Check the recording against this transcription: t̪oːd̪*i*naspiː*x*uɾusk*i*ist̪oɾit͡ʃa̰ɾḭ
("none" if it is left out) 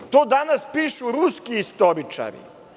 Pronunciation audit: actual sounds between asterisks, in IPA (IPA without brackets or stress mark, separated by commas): a, ʃ, i